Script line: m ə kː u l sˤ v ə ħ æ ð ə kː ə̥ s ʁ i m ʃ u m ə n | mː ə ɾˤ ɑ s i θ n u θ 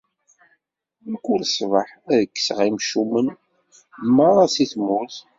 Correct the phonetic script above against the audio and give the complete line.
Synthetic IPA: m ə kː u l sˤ v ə ħ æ ð ə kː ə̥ s ʁ i m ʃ u m ə n | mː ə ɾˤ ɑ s i θ m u θ